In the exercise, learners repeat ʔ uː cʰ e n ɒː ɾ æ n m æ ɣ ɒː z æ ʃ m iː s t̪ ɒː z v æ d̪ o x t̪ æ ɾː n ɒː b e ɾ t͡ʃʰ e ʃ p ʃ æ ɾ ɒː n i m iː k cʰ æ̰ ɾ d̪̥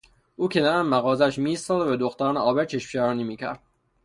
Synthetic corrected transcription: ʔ uː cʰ e n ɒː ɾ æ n m æ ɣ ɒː z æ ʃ m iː s t̪ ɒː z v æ d̪ o x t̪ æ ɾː n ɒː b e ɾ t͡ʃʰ e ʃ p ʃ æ ɾ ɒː n i m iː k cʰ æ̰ ɾ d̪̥